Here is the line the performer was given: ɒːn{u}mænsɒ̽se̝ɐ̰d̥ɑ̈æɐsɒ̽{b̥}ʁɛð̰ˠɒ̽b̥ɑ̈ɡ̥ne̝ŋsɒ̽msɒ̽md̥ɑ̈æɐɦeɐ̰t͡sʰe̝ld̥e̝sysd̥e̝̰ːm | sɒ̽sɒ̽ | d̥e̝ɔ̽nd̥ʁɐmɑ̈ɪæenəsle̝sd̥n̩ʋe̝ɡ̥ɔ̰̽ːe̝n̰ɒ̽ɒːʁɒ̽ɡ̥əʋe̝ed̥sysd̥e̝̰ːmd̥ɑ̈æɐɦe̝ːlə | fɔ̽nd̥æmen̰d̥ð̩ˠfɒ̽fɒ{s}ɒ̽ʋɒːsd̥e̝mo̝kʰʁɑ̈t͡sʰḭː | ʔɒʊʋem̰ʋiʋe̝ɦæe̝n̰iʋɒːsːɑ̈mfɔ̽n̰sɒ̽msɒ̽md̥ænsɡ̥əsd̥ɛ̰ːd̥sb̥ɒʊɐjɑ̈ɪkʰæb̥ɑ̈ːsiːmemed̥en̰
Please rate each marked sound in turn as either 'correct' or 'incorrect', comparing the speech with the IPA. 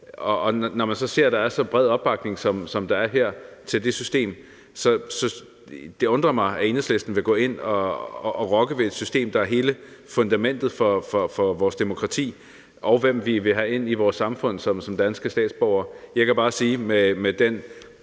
incorrect: ɒ, correct, incorrect: f

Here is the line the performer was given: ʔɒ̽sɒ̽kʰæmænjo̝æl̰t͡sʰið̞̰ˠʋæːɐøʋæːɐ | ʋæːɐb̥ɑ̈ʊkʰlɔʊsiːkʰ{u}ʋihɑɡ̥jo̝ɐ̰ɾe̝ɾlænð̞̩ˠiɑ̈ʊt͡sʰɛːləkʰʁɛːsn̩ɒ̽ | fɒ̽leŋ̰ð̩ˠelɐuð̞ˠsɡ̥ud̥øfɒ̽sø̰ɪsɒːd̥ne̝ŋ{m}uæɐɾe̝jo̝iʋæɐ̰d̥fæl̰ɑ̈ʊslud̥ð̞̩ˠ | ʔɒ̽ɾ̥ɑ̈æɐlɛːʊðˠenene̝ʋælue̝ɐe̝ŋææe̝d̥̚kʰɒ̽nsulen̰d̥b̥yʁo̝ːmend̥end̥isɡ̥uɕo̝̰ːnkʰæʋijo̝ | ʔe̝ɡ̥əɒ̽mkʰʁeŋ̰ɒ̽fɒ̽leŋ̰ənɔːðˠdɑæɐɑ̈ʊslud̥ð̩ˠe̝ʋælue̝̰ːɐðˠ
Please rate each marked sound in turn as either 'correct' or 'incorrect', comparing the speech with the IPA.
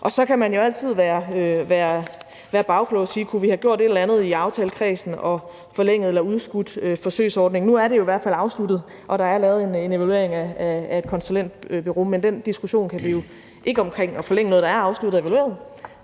correct, incorrect: n

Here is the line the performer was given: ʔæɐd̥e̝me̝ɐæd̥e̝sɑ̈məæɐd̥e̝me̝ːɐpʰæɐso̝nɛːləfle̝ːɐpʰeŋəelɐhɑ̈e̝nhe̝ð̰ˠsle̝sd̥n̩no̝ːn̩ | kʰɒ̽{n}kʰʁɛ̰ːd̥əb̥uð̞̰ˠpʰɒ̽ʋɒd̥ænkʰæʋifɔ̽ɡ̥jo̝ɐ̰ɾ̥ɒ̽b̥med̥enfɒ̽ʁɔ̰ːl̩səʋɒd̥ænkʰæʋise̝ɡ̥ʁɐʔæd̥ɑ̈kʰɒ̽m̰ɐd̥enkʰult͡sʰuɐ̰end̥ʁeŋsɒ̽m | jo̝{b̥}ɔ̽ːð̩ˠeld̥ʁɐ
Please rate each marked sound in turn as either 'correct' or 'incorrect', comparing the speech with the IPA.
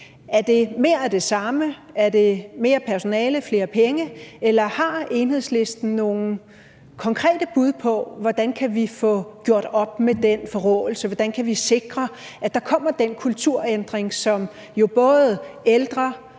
incorrect: ŋ, correct

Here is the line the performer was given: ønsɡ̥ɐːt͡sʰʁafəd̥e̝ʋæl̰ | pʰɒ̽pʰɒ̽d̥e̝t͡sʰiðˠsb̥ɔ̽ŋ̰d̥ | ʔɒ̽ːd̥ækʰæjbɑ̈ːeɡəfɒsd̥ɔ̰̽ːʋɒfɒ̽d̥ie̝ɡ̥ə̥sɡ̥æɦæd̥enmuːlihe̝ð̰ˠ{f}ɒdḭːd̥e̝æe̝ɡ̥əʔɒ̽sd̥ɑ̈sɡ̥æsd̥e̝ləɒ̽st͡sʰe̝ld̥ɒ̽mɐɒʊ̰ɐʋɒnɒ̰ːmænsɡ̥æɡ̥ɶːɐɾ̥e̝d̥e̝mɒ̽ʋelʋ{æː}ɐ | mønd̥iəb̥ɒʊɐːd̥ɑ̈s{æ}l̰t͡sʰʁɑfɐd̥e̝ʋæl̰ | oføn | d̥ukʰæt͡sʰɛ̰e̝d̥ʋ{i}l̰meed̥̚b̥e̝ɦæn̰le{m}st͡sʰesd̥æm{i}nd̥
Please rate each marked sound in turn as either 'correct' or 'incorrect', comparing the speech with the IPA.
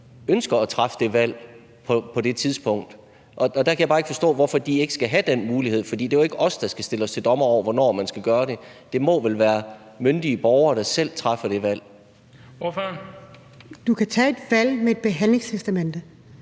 correct, correct, incorrect: e, incorrect: æ, incorrect: ŋ, incorrect: e

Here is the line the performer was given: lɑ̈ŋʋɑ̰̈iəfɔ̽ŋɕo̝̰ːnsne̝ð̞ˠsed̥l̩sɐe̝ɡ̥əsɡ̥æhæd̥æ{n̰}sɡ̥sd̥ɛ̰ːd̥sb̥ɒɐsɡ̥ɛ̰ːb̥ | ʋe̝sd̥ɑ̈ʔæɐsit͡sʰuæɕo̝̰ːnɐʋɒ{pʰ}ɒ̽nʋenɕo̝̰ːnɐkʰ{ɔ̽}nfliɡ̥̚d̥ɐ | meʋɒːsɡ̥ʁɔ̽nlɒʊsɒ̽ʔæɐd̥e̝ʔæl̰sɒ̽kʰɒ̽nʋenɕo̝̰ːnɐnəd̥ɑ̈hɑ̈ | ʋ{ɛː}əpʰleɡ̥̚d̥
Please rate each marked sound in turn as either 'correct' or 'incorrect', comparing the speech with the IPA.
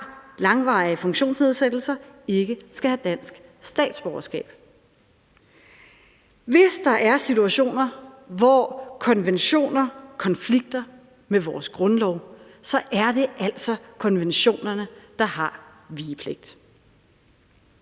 correct, incorrect: kʰ, incorrect: ɒ̽, incorrect: iː

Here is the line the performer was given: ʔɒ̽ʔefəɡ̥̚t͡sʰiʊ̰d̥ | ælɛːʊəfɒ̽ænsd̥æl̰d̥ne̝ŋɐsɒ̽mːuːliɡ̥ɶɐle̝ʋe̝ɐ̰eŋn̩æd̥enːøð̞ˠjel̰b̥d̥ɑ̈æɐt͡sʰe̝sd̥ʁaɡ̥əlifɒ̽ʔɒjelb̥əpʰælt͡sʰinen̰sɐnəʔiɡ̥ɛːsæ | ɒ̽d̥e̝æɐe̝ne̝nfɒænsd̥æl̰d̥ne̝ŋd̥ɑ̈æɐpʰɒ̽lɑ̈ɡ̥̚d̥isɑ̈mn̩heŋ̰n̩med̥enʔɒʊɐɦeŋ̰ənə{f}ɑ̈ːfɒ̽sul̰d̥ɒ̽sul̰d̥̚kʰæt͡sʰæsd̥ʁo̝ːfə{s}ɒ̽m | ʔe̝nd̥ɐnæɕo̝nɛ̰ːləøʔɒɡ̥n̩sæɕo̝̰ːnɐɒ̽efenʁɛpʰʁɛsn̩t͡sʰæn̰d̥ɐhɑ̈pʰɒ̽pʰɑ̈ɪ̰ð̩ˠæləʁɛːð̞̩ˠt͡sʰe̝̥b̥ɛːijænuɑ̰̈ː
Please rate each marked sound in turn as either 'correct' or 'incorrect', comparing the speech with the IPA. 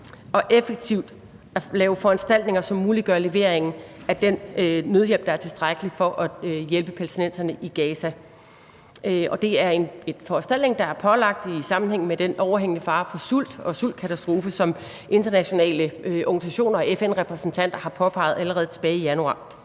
correct, correct

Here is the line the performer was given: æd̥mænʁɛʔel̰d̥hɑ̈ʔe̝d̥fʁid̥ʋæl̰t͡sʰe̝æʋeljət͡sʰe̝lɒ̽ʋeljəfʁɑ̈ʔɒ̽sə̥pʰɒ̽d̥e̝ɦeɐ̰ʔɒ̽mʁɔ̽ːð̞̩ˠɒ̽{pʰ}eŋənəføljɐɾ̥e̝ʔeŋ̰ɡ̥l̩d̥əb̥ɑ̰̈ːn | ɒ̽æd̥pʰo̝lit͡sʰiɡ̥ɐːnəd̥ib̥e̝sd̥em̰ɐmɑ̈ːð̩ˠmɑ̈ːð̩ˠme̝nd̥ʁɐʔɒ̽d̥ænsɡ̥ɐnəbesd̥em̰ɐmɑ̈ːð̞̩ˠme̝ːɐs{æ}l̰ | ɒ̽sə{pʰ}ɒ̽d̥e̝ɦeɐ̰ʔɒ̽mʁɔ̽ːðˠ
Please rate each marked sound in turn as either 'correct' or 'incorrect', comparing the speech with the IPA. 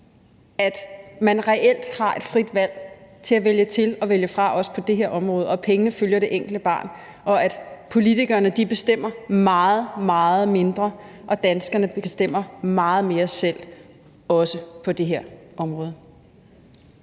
correct, incorrect: e, correct

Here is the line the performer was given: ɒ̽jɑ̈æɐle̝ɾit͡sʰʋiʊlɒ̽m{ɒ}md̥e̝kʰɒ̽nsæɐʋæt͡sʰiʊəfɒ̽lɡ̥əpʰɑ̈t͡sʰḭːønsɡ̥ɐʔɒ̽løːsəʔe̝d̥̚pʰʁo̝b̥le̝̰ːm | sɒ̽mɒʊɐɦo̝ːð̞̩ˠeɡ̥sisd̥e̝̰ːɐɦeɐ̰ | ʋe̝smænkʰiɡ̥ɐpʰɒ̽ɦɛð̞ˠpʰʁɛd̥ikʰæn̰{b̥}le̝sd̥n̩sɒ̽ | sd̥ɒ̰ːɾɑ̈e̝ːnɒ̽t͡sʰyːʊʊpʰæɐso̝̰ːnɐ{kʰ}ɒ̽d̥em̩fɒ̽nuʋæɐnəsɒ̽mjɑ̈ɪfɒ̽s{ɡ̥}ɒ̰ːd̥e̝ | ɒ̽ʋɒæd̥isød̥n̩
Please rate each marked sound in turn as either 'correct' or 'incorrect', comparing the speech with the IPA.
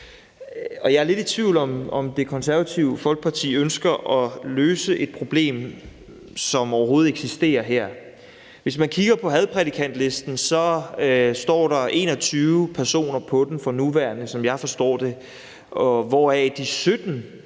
correct, incorrect: d̥, incorrect: pʰ, incorrect: d̥

